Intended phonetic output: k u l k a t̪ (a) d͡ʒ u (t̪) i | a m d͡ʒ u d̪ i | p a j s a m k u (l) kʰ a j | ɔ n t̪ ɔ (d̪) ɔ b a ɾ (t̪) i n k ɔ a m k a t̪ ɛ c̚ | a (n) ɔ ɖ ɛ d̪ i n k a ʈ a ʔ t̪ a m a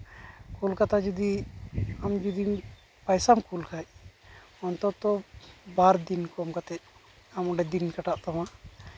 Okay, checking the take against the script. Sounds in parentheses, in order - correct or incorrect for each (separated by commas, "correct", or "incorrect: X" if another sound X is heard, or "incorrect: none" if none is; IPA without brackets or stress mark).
correct, incorrect: d̪, correct, incorrect: t̪, incorrect: d̪, incorrect: m